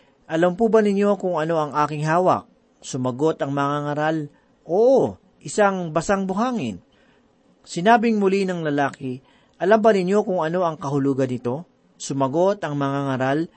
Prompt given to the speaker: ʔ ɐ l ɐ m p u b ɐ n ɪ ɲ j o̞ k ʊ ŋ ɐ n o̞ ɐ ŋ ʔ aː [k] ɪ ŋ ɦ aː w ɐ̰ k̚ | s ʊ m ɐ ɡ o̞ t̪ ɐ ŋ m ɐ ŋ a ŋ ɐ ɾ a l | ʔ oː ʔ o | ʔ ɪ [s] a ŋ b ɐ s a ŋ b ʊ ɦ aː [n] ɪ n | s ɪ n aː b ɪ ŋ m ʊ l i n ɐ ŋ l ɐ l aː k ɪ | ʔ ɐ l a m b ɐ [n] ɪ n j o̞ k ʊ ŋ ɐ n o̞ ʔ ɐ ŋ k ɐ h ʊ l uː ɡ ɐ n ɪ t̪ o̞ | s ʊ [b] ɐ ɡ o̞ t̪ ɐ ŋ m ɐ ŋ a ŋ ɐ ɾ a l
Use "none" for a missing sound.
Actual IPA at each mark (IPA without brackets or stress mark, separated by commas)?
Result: k, s, ŋ, n, m